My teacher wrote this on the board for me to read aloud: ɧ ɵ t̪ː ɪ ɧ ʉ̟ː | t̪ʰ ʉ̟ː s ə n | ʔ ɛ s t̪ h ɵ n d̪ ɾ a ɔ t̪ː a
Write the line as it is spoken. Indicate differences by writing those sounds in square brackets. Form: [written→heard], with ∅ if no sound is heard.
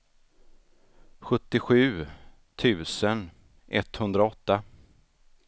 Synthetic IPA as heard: ɧ ɵ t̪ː ɪ ɧ ʉ̟ː | t̪ʰ ʉ̟ː s ə n | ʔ ɛ [s→∅] t̪ h ɵ n d̪ ɾ a ɔ t̪ː a